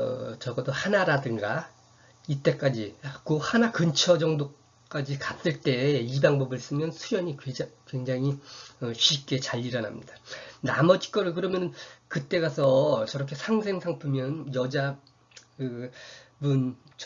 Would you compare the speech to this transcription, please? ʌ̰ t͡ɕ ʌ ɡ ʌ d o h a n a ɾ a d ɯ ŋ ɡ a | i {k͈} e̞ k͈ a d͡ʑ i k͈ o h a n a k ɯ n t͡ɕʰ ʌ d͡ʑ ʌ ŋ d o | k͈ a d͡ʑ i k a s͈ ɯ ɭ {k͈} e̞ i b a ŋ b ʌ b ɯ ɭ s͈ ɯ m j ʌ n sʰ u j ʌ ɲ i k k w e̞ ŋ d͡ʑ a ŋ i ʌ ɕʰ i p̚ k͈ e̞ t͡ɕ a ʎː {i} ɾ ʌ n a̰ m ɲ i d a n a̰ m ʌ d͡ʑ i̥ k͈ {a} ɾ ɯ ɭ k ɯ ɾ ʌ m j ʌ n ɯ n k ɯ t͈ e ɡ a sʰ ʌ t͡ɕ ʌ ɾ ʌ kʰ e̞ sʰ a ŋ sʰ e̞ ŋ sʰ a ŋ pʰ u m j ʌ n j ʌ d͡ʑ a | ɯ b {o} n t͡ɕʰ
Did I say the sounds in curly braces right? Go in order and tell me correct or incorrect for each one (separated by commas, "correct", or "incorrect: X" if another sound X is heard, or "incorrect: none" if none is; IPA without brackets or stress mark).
incorrect: t͈, incorrect: t͈, correct, incorrect: ʌ, incorrect: u